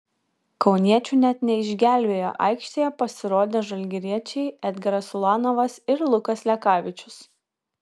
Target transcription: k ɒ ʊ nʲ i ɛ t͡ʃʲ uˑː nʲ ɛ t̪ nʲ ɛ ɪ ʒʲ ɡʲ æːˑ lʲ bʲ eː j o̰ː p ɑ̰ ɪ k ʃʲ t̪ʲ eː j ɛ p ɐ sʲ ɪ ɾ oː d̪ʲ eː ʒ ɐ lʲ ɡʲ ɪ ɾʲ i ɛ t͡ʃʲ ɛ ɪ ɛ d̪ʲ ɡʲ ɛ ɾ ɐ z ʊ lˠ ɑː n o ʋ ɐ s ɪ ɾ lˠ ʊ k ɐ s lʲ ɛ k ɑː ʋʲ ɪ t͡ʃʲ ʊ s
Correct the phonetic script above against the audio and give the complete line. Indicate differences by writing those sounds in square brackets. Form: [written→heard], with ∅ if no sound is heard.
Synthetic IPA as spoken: k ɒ ʊ nʲ i ɛ t͡ʃʲ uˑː nʲ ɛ t̪ nʲ ɛ ɪ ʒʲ ɡʲ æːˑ lʲ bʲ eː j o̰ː [p→ʔ] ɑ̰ ɪ k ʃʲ t̪ʲ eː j ɛ p ɐ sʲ ɪ ɾ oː d̪ʲ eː ʒ ɐ lʲ ɡʲ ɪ ɾʲ i ɛ t͡ʃʲ ɛ ɪ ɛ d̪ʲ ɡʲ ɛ ɾ ɐ [z→s] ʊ lˠ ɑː n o ʋ ɐ s ɪ ɾ lˠ ʊ k ɐ s lʲ ɛ k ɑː ʋʲ ɪ t͡ʃʲ ʊ s